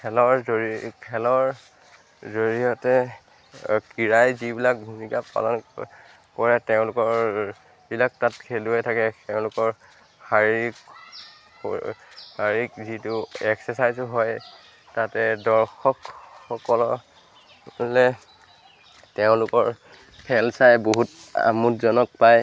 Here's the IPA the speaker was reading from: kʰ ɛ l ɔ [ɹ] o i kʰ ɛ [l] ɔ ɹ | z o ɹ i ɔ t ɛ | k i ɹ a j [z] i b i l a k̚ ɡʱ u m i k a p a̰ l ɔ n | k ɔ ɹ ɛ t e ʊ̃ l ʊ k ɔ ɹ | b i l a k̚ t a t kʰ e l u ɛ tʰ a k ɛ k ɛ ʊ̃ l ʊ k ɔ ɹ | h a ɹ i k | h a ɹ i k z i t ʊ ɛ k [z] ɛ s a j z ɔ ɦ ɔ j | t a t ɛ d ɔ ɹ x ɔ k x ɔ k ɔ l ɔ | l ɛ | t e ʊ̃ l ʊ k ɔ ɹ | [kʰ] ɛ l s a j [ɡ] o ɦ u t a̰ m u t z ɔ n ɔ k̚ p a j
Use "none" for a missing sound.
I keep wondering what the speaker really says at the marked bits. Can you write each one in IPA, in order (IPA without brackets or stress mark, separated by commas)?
ɹ, l, z, s, pʰ, b